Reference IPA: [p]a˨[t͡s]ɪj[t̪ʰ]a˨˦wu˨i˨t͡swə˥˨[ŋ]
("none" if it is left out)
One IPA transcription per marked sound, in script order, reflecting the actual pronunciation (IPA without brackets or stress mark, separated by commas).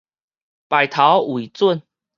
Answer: p, none, t̪ʰ, n